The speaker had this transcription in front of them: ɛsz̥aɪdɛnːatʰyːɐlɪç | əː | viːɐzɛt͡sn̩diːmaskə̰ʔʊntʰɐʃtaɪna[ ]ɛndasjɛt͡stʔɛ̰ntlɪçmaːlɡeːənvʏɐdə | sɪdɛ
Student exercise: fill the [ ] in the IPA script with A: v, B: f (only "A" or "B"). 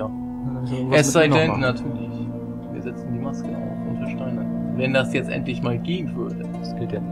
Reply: A